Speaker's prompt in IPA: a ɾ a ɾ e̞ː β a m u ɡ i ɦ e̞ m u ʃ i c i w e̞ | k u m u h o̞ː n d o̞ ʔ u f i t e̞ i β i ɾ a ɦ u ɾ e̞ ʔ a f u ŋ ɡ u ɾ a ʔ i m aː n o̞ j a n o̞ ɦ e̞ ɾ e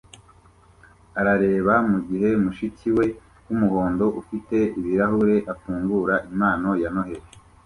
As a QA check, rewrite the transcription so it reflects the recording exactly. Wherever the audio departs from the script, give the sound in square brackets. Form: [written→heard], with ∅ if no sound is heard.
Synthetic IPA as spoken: a ɾ a ɾ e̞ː β a m u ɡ i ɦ e̞ m u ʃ i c i w e̞ | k u m u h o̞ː n d o̞ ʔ u f i t e̞ i β i ɾ a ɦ u ɾ e̞ ʔ a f [u→uː] ŋ ɡ u ɾ a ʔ i m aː n o̞ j a n o̞ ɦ e̞ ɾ e